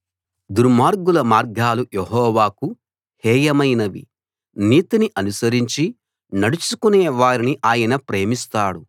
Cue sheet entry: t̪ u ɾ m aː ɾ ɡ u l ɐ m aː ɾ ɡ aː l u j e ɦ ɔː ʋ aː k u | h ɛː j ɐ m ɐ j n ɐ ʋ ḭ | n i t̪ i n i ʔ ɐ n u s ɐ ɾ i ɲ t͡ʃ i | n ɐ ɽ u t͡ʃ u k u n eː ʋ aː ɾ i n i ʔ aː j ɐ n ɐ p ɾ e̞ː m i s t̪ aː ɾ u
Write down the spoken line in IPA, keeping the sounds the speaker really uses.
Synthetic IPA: d̪ u ɾ m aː ɾ ɡ u l ɐ m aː ɾ ɡ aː l u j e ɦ ɔː ʋ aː k u | h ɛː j ɐ m ɐ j n ɐ ʋ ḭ | n iː t̪ i n i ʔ ɐ n u s ɐ ɾ i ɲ t͡ʃ i | n ɐ ɽ u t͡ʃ u k u n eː ʋ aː ɾ i n i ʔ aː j ɐ n ɐ p ɾ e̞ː m i s t̪ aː ɽ u

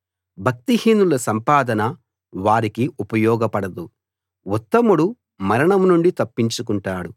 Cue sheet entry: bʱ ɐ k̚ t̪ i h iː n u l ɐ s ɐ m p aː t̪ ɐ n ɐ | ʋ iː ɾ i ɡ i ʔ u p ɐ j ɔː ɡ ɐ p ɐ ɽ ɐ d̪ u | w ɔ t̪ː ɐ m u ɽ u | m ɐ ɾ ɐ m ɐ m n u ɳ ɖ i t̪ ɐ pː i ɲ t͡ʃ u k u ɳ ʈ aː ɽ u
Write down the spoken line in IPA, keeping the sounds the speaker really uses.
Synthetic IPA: bʱ ɐ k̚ t̪ i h iː n u l ɐ s ɐ m p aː d̪ ɐ n ɐ | ʋ aː ɾ i k i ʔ u p ɐ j ɔː ɡ ɐ p ɐ ɽ ɐ d̪ u | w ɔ t̪ː ɐ m u ɽ u | m ɐ ɾ ɐ ɳ ɐ m n u ɳ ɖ i t̪ ɐ pː i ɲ t͡ʃ u k u ɳ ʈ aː ɽ u

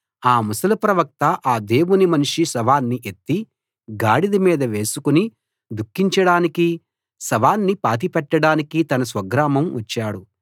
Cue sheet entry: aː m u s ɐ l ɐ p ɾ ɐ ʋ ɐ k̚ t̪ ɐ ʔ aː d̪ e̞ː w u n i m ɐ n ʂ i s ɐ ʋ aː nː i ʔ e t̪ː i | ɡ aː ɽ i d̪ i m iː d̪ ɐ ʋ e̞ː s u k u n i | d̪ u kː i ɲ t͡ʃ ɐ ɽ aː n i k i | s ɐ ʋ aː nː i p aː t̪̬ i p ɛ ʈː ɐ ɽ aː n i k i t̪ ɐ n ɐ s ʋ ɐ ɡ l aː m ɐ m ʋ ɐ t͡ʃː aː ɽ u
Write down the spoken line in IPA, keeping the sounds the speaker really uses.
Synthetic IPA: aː m u s ɐ l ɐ p ɾ ɐ ʋ ɐ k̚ t̪ ɐ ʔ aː d̪ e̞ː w u n i m ɐ n ʂ i s ɐ ʋ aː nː i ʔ e t̪ː i | ɡ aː ɽ i d̪ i m iː d̪ ɐ ʋ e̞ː s u k u n i | d̪ u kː i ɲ t͡ʃ ɐ ɽ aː n i k i | s ɐ ʋ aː nː i p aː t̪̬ i p ɛ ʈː ɐ ɽ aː n i k i t̪ ɐ n ɐ s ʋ ɐ ɡ ɾ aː m ɐ m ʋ ɐ t͡ʃː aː ɽ u

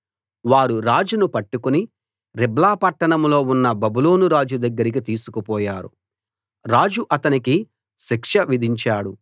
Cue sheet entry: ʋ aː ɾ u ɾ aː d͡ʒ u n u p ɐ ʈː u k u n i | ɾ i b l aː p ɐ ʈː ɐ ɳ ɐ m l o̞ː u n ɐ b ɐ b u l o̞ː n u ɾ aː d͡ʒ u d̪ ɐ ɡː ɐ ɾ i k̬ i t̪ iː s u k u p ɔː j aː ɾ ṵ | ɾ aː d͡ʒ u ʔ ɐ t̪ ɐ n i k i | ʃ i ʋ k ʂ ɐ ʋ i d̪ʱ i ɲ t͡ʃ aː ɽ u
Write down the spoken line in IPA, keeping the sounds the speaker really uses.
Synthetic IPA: ʋ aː ɾ u ɾ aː d͡ʒ u n u p ɐ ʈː u k u n i | ɾ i b l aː p ɐ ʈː ɐ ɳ ɐ m l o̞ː u nː ɐ b ɐ b u l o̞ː n u ɾ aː d͡ʒ u d̪ ɐ ɡː ɐ ɾ i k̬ i t̪ iː s u k u p ɔː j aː ɾ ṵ | ɾ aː d͡ʒ u ʔ ɐ t̪ ɐ n i k i | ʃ i k ʂ ɐ ʋ i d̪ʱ i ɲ t͡ʃ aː ɽ u

